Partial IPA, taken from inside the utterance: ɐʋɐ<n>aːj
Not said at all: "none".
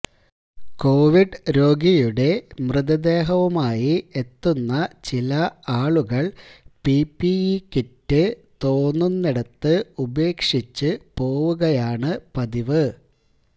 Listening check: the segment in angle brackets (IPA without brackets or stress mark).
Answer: m